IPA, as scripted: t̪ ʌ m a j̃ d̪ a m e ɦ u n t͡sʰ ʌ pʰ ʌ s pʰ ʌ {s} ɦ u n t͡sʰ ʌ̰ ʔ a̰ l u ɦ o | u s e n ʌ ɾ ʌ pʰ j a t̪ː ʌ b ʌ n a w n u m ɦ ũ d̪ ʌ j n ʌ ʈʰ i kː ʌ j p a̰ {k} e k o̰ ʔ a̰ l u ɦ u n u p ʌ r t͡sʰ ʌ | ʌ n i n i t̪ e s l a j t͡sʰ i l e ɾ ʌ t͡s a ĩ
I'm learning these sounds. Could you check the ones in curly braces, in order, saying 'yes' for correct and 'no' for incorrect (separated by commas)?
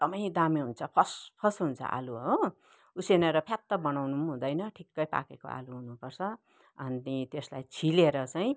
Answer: yes, yes